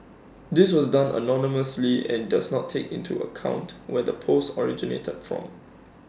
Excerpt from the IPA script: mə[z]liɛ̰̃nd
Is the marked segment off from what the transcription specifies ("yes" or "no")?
yes